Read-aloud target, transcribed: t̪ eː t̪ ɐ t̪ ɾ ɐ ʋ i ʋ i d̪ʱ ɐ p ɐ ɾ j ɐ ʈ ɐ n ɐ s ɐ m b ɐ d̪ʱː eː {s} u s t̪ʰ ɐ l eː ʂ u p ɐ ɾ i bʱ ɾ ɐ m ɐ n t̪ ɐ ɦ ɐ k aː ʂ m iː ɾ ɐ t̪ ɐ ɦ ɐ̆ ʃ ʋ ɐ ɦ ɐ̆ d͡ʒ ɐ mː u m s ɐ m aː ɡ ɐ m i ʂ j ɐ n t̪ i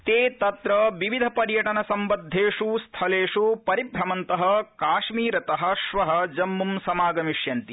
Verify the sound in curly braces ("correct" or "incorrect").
incorrect